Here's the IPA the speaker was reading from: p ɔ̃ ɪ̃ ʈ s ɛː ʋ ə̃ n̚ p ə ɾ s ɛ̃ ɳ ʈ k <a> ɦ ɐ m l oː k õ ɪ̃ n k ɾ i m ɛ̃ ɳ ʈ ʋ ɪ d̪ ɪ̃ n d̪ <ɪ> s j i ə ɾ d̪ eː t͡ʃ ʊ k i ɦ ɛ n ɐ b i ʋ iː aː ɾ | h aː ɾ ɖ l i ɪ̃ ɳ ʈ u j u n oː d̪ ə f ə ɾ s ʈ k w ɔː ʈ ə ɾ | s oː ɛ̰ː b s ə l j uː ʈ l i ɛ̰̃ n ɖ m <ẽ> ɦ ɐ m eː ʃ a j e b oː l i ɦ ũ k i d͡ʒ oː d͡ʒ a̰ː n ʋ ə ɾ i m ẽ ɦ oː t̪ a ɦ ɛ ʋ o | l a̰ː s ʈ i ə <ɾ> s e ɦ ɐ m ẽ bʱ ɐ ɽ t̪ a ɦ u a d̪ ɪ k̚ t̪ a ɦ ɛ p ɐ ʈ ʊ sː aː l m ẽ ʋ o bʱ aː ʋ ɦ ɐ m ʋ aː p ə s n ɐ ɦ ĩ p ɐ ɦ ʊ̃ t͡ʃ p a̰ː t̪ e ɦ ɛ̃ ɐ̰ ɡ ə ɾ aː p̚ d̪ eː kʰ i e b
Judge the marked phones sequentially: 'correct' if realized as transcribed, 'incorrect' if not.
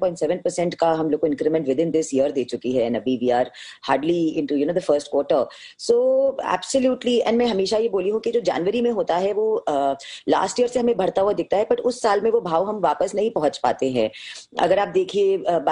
correct, correct, incorrect, correct

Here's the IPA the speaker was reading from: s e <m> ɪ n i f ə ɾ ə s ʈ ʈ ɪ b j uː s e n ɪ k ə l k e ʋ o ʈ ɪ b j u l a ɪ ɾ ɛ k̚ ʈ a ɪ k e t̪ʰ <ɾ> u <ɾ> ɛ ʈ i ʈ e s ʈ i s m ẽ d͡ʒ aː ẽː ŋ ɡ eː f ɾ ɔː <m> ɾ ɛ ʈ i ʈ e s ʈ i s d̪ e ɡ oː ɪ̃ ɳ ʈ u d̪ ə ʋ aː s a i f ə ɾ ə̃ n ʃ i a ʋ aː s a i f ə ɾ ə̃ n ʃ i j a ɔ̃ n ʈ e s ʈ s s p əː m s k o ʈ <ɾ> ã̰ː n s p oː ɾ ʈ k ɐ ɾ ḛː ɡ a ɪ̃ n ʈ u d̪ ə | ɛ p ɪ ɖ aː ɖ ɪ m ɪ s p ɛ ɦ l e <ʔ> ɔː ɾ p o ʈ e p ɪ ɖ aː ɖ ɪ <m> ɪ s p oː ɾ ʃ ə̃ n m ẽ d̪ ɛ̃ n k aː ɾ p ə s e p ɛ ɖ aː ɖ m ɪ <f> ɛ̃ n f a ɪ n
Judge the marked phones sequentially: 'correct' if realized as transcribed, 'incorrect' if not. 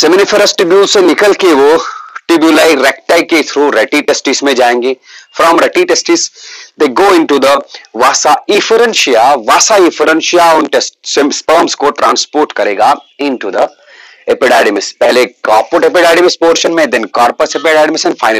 correct, correct, correct, correct, correct, incorrect, correct, incorrect

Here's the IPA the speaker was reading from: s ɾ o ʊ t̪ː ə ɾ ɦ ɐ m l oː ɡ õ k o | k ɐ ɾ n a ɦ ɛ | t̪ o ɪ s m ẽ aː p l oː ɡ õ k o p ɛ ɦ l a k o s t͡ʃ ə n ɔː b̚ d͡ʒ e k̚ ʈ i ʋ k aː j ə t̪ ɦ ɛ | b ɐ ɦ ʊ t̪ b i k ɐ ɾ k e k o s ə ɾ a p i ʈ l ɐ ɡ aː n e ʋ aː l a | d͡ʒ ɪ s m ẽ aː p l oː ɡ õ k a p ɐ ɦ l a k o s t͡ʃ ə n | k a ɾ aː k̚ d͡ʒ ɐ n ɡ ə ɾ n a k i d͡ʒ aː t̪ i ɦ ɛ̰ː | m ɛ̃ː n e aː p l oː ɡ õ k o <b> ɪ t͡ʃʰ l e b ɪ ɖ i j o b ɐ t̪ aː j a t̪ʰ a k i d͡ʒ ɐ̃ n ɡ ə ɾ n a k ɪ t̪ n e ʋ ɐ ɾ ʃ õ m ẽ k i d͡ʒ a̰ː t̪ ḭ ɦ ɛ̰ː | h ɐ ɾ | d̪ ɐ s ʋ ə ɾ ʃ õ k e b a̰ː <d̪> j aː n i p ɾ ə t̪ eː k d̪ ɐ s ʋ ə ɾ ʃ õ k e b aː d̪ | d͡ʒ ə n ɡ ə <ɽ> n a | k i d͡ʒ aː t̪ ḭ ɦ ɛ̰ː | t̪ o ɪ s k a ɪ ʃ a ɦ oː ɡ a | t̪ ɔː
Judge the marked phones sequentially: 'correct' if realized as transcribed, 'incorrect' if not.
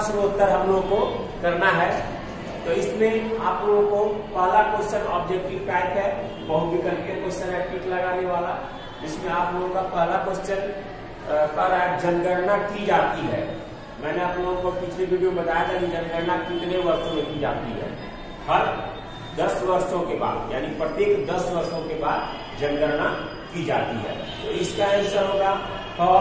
incorrect, correct, incorrect

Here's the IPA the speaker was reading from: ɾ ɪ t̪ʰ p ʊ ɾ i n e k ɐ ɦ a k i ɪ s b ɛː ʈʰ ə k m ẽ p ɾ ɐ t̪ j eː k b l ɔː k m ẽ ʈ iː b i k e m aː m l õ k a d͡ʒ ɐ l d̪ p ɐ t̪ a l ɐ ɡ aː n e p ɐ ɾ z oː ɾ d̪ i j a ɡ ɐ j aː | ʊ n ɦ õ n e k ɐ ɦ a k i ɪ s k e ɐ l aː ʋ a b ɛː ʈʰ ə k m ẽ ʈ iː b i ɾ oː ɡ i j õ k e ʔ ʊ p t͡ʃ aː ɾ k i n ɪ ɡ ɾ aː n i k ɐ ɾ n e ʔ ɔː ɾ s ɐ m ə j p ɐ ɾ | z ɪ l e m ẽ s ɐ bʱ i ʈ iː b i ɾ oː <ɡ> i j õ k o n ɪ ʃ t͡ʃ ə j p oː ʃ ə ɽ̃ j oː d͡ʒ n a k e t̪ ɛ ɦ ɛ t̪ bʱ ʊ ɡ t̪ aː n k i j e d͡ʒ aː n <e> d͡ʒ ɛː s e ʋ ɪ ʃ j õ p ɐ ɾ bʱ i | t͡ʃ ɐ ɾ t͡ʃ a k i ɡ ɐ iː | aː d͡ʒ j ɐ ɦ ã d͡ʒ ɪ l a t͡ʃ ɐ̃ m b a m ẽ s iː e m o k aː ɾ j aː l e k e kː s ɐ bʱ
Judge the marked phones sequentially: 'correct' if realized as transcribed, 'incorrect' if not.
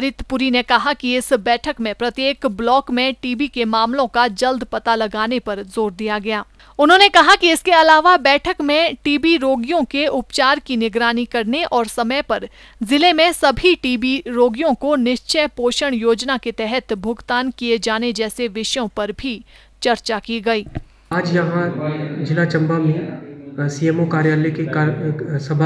correct, correct

